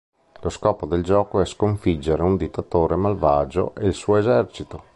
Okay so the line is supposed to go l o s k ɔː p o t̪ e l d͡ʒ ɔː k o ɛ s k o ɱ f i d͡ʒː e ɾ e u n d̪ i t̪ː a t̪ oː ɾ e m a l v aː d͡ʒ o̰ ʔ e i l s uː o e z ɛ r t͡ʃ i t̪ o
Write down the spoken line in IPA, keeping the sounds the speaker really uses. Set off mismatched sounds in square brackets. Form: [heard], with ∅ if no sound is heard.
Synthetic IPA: l o s k ɔː p o [d̪] e l d͡ʒ ɔː k o ɛ s k o ɱ f i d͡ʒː e ɾ e u n d̪ i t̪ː a t̪ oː ɾ e m a l v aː d͡ʒ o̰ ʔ e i l s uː o e z ɛ r t͡ʃ i t̪ o